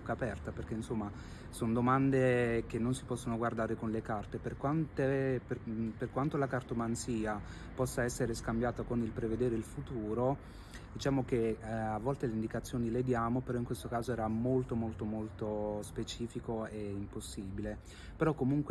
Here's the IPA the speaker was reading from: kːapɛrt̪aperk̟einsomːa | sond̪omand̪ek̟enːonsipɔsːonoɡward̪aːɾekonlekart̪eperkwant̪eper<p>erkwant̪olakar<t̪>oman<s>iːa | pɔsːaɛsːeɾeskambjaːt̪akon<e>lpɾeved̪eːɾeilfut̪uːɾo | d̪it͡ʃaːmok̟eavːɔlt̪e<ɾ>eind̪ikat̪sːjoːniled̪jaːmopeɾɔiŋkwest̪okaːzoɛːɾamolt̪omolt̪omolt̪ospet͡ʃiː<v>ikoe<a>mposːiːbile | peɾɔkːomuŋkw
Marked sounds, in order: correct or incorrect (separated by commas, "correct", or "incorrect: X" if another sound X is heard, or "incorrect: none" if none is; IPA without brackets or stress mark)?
correct, correct, correct, incorrect: i, incorrect: l, incorrect: f, incorrect: i